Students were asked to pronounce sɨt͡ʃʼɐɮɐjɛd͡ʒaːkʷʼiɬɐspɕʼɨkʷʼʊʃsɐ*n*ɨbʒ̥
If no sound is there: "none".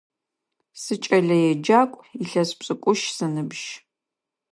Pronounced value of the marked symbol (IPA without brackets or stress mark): n